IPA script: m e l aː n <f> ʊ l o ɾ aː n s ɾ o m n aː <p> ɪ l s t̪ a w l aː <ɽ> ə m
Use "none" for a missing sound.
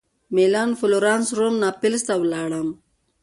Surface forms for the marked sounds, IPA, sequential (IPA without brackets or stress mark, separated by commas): f, p, ɽ